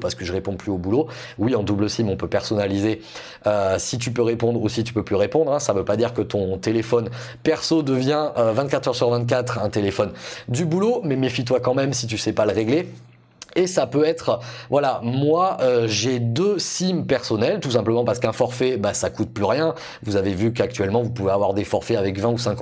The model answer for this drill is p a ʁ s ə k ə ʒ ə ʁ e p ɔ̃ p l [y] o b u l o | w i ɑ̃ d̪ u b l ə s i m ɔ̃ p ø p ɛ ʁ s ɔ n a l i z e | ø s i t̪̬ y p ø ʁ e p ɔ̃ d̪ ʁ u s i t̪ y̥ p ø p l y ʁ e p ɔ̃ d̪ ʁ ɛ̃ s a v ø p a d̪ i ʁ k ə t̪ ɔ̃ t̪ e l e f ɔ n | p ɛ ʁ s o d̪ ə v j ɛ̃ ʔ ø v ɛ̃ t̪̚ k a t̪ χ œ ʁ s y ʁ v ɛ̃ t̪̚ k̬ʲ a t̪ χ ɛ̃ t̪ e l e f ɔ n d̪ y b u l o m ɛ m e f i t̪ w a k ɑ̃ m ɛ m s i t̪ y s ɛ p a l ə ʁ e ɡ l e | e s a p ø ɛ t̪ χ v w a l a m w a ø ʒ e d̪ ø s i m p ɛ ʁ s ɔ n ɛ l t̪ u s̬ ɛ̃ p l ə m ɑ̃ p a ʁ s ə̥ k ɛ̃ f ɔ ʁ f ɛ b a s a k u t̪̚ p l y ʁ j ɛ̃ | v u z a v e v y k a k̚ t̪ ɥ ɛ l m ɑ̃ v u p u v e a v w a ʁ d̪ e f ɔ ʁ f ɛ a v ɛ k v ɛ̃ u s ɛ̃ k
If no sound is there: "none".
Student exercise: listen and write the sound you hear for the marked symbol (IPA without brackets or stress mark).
y